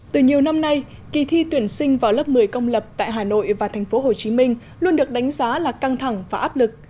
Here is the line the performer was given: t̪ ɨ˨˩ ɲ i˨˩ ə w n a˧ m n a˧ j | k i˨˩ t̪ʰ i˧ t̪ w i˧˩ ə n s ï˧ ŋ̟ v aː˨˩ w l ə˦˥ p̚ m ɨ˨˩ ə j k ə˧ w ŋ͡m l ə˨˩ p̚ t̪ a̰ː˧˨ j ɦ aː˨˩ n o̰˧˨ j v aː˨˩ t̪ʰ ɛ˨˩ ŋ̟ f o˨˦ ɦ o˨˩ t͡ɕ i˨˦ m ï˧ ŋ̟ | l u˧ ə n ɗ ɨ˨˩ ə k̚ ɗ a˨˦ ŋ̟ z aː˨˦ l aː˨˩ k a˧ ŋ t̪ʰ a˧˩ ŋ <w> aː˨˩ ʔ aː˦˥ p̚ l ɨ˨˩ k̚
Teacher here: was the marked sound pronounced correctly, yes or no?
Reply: no